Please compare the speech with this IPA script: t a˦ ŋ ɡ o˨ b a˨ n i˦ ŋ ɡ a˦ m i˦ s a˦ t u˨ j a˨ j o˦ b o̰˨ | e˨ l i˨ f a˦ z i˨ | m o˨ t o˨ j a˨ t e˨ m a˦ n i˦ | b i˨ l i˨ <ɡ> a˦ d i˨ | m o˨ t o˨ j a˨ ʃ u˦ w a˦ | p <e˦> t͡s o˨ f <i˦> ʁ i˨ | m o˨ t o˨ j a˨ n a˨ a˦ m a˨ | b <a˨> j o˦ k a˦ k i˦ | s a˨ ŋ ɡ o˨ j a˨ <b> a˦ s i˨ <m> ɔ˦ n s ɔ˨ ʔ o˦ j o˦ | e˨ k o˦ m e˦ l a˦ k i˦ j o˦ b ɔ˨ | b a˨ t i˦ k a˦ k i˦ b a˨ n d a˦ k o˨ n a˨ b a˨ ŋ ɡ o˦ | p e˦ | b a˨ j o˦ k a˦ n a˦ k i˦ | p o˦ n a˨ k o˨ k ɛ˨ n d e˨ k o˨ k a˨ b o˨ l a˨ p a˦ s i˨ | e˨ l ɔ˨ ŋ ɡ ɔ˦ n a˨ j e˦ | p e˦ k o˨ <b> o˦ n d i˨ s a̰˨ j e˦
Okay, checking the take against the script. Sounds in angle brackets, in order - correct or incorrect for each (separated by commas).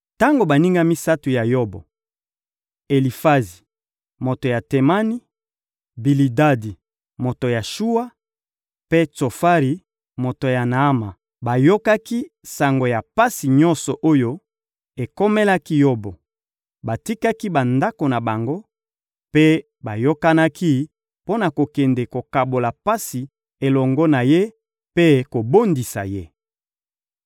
incorrect, correct, incorrect, correct, incorrect, incorrect, correct